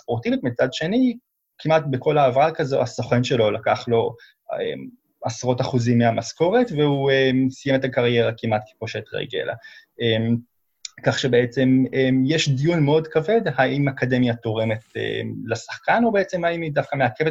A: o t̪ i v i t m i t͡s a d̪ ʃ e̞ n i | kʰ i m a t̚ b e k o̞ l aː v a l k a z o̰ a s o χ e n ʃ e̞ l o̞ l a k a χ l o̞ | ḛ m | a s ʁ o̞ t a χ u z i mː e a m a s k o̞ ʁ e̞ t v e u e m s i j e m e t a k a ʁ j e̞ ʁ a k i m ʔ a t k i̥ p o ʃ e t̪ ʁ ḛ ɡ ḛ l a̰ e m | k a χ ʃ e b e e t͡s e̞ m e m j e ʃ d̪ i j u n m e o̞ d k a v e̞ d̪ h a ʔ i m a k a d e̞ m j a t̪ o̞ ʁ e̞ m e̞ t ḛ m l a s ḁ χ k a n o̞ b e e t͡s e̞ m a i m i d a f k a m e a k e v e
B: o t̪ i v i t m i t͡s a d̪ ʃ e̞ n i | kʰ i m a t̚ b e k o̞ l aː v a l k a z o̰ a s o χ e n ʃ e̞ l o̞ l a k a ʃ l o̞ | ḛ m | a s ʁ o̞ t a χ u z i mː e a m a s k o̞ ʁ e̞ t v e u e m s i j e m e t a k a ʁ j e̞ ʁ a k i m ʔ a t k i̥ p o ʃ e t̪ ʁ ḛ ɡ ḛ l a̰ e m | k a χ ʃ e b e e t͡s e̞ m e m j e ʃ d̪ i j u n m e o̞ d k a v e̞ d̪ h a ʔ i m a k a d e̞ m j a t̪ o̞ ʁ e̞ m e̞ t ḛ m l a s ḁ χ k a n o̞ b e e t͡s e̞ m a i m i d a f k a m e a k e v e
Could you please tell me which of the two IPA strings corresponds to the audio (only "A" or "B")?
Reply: A